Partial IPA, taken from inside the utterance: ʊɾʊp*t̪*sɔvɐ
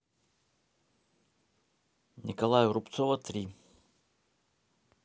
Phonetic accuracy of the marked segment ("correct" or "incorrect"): correct